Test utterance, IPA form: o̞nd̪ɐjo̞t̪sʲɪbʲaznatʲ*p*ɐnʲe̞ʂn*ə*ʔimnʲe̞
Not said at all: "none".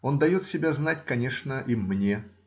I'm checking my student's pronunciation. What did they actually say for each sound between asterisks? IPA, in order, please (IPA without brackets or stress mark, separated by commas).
k, ə